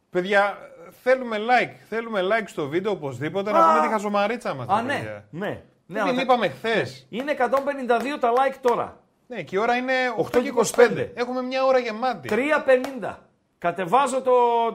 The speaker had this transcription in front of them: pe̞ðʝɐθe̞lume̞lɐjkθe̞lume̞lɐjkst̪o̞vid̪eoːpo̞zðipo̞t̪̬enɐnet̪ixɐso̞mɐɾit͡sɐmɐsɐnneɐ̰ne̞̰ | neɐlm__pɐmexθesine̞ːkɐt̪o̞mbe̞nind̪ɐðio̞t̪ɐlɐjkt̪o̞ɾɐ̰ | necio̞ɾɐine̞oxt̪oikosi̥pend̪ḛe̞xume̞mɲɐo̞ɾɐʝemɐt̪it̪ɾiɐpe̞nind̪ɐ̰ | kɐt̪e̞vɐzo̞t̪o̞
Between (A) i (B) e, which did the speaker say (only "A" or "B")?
A